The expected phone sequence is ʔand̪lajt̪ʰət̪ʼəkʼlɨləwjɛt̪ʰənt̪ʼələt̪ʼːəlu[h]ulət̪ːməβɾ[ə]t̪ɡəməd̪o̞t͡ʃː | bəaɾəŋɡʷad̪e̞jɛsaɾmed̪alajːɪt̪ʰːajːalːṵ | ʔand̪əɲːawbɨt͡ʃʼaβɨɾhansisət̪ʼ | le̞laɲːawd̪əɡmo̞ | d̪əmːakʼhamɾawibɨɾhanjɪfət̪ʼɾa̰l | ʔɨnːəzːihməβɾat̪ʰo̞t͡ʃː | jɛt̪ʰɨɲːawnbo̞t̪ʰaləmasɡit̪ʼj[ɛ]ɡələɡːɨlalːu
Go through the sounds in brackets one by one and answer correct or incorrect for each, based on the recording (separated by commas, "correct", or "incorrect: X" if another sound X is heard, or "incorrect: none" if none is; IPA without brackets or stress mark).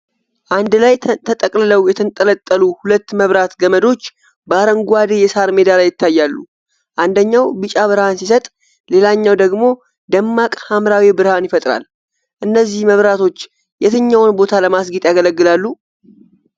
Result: correct, incorrect: a, incorrect: a